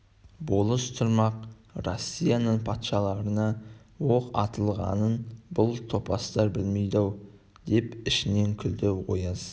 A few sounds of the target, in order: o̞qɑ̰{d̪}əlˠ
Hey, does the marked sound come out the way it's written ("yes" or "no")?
no